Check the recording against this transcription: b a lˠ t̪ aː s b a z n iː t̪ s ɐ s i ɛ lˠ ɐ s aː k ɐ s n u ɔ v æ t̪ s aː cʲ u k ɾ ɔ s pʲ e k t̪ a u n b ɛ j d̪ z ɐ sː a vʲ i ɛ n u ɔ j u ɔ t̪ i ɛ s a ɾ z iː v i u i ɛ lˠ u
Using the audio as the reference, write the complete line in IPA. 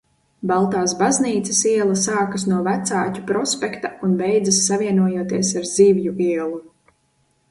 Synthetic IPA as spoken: b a lˠ t̪ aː s b a z n iː t̪ s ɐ s i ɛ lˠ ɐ s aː k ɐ s n u ɔ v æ t̪ s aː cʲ u p ɾ ɔ s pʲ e k t̪ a u n b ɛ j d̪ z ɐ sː a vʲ i ɛ n u ɔ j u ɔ t̪ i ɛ s a ɾ z iː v j u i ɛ lˠ u